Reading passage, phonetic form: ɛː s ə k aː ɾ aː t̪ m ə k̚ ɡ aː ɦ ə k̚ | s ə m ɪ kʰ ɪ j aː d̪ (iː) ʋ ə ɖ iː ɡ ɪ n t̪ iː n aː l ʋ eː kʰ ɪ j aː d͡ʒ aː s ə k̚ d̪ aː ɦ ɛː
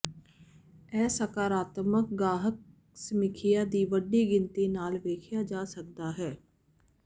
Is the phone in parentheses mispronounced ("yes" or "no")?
no